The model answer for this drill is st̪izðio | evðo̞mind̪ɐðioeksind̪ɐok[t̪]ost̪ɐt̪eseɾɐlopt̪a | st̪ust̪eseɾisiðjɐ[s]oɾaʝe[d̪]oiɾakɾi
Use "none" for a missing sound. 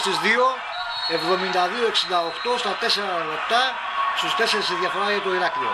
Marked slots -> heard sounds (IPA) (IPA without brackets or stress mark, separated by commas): t̪, f, t̪